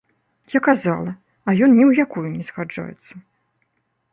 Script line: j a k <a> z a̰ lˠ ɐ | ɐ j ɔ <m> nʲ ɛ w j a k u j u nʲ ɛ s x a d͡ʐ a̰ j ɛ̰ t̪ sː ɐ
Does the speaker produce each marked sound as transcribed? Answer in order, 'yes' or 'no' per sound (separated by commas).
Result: yes, no